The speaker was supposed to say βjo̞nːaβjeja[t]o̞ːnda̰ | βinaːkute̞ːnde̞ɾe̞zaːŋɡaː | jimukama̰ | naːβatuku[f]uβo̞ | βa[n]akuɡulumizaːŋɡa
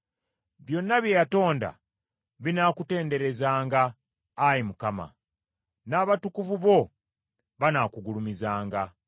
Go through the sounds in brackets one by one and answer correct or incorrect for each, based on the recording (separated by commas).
correct, incorrect, correct